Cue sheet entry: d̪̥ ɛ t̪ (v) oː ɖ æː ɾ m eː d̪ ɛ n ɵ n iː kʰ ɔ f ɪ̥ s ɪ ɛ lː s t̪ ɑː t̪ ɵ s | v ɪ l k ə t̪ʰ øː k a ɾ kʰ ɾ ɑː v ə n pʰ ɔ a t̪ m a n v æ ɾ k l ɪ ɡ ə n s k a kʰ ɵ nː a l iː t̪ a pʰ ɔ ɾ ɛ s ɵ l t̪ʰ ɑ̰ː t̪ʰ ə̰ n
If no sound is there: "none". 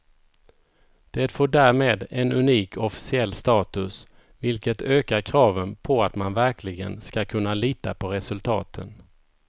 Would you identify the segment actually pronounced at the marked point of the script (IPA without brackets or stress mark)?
f